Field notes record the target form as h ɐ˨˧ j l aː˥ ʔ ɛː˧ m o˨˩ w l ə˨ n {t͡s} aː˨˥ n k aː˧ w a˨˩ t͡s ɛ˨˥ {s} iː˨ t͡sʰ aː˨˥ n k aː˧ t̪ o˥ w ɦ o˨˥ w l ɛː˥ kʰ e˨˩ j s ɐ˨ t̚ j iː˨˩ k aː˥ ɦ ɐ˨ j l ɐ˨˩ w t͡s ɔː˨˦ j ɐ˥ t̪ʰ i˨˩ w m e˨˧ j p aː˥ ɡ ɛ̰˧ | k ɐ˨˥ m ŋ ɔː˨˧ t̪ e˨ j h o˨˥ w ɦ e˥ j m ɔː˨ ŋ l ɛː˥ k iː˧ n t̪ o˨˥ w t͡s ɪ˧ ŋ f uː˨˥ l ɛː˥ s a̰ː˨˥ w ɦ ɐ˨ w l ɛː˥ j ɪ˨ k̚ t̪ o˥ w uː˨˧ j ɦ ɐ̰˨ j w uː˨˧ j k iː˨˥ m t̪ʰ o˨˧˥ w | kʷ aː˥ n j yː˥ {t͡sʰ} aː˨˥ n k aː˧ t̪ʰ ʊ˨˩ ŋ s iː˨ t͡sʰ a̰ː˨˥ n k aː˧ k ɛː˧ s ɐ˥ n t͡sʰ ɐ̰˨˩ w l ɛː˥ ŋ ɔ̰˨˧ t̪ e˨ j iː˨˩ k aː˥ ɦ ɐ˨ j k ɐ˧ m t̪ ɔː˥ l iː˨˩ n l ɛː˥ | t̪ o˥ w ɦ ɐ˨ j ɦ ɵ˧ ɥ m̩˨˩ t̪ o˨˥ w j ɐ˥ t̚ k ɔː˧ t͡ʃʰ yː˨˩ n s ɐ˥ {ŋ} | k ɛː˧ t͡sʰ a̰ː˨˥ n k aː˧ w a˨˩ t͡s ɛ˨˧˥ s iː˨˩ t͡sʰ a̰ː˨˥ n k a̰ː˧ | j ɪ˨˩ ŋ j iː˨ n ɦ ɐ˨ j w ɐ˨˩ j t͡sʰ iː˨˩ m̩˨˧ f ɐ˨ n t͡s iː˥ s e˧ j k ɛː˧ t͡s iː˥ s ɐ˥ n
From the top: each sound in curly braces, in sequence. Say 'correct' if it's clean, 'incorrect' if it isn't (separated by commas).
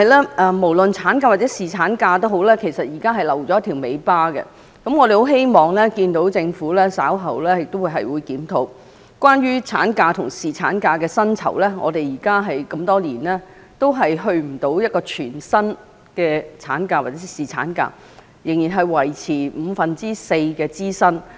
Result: incorrect, correct, correct, incorrect